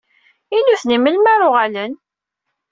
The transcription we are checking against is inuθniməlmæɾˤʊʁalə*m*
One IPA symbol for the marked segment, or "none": n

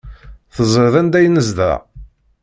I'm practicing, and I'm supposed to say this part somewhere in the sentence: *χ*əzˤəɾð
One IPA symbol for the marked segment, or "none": θ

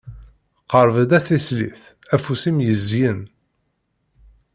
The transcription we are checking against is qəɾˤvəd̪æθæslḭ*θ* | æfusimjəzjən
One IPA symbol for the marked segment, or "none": θ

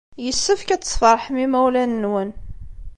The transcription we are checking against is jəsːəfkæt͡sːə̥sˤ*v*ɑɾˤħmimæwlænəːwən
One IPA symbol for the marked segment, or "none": f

